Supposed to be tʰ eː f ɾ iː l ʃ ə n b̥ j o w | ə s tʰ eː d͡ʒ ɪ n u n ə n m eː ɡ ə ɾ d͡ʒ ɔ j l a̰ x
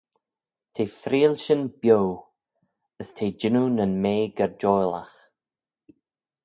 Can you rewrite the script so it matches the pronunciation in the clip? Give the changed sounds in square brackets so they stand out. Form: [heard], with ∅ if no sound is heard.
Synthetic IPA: tʰ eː f ɾ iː l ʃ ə n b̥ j o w | ə s tʰ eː d͡ʒ ɪ n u n ə n m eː ɡ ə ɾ d͡ʒ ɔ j l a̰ x